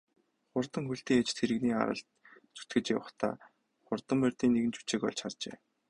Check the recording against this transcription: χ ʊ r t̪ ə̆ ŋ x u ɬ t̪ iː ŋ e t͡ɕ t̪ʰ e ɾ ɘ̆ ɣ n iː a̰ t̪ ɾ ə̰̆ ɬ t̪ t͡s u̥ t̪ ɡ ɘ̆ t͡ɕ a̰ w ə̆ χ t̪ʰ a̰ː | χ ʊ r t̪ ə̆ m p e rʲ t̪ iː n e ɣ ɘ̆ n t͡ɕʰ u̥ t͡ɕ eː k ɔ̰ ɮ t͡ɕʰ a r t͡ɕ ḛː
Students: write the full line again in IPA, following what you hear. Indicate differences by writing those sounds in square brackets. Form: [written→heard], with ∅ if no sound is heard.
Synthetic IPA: χ ʊ r t̪ ə̆ ŋ x u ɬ t̪ iː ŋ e t͡ɕ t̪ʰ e ɾ ɘ̆ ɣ n iː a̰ [t̪→∅] ɾ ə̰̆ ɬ t̪ t͡s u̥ t̪ ɡ ɘ̆ t͡ɕ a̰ w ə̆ χ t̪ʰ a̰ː | χ ʊ r t̪ ə̆ m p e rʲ t̪ iː n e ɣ ɘ̆ n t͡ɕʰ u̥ t͡ɕ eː k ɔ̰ ɮ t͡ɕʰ a r t͡ɕ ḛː